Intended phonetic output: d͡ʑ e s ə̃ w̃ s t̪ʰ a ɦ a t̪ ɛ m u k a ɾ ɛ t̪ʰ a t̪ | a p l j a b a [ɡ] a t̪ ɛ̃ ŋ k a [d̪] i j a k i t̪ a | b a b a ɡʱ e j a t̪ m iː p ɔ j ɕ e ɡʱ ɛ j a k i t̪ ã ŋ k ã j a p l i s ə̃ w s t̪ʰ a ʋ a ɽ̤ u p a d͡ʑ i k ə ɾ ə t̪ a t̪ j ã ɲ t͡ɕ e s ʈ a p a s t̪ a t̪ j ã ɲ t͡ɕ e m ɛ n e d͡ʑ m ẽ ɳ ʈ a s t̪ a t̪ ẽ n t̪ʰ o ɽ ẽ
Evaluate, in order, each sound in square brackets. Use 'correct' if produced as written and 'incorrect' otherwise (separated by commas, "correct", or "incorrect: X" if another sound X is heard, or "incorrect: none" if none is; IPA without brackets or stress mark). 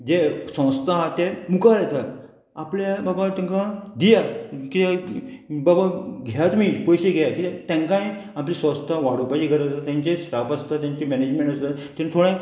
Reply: incorrect: b, correct